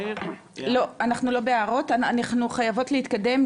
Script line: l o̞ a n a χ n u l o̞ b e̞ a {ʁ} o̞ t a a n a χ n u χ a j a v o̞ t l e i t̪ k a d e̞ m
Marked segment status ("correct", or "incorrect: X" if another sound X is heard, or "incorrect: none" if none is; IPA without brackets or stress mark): correct